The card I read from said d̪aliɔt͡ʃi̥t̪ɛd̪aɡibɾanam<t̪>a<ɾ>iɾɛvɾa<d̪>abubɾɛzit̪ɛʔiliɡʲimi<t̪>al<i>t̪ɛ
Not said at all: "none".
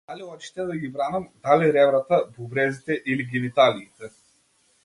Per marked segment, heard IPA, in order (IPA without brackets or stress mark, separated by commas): d̪, l, t̪, t̪, iː